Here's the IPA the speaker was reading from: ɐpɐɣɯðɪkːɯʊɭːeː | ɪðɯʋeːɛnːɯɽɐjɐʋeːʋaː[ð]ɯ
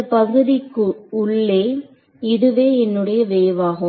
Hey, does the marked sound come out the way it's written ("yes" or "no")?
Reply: no